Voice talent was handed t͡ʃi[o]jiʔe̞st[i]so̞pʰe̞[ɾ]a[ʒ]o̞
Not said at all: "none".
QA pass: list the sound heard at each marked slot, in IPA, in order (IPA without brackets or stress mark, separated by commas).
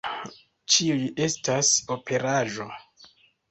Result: u, a, ɾ, ʒ